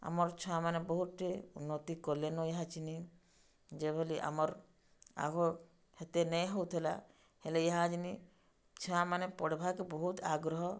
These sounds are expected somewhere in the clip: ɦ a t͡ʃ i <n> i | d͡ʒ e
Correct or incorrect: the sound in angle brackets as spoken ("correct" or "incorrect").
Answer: correct